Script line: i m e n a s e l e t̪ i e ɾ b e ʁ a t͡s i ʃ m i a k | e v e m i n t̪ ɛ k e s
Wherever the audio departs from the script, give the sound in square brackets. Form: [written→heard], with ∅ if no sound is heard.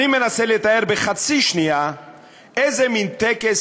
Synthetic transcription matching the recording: i m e n a s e l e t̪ [i→a] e ɾ b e [ʁ→χ] a t͡s i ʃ [m→n] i a [k→∅] | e [v→z] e m i n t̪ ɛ k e s